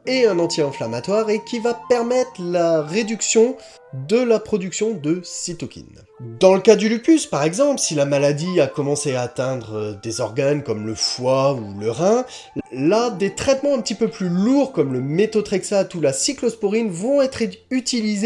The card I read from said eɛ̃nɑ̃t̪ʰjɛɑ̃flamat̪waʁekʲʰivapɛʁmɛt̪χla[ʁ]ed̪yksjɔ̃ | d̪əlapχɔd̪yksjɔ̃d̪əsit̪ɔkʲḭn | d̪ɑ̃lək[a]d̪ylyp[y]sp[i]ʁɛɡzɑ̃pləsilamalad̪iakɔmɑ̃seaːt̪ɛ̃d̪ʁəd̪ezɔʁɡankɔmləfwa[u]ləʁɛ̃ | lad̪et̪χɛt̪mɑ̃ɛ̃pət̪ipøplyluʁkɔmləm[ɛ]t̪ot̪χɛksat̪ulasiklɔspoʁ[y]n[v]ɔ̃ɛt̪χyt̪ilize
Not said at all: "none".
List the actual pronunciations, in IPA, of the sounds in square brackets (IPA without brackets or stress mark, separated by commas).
ʁ, a, y, a, u, e, i, v